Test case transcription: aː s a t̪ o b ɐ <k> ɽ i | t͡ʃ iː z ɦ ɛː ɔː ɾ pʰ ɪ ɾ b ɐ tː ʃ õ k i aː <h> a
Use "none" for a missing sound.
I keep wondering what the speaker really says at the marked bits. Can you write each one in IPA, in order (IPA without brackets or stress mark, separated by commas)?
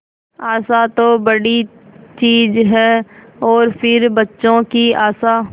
none, s